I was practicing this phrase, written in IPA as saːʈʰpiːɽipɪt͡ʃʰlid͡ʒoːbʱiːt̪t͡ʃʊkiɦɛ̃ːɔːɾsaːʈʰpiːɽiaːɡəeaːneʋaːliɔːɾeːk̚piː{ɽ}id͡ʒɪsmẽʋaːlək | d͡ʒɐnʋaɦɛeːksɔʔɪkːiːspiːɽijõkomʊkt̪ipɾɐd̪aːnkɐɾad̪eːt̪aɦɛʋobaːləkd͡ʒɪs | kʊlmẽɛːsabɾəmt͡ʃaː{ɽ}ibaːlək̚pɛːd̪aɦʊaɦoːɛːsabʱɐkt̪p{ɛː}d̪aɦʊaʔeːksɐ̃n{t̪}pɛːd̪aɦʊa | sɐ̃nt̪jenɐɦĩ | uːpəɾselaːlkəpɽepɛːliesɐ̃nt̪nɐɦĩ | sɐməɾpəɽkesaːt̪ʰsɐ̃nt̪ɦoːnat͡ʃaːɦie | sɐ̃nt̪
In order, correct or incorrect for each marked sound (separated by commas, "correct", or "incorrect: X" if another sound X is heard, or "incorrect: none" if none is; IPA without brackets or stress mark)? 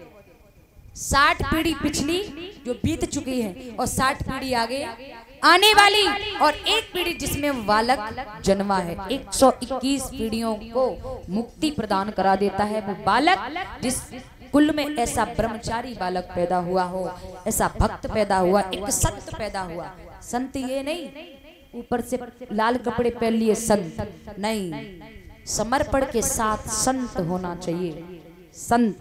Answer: correct, incorrect: ɾ, correct, correct